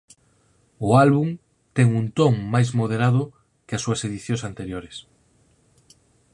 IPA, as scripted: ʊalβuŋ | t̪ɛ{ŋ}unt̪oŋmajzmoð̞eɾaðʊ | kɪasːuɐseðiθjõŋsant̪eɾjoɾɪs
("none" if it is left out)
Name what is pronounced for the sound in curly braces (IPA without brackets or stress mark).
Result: ŋ